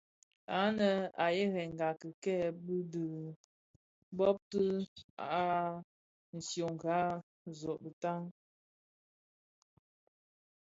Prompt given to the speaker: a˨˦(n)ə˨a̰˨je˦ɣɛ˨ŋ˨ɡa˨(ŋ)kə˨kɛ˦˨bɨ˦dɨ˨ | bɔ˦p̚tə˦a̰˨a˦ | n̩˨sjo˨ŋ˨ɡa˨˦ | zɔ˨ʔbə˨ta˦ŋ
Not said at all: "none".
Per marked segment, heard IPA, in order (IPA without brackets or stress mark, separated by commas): n, none